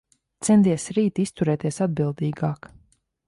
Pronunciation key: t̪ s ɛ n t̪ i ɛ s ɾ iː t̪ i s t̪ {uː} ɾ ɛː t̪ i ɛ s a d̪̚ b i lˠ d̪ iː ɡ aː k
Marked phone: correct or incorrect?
incorrect